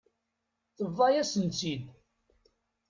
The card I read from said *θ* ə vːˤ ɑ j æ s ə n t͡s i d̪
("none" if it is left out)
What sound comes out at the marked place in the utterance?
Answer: θ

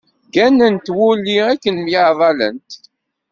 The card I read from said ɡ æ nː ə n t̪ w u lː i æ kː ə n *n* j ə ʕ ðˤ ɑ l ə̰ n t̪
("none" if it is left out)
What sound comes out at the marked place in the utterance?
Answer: m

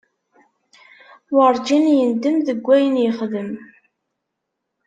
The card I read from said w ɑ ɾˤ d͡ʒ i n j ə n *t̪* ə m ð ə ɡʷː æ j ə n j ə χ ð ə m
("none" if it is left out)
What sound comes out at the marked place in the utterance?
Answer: d̪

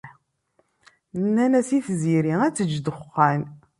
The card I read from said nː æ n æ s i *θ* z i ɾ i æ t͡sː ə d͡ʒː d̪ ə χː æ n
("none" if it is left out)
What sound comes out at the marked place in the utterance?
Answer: θ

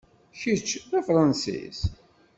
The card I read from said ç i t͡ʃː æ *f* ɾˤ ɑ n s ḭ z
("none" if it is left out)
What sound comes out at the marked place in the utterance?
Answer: f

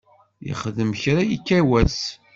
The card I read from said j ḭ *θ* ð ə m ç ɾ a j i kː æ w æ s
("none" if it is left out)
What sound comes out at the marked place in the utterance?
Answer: χ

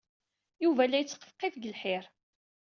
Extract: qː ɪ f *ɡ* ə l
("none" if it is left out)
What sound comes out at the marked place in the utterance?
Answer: ɡ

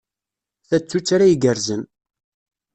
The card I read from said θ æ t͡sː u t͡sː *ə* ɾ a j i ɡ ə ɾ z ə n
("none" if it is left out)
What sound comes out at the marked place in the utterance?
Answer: a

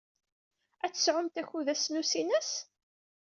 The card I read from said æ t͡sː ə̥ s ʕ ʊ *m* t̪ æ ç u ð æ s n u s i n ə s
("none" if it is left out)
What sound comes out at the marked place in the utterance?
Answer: m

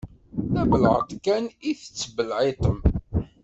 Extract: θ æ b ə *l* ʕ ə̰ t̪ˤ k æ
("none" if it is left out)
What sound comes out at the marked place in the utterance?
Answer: l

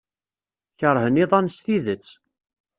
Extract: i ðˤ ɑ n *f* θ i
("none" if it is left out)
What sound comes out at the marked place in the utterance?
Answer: s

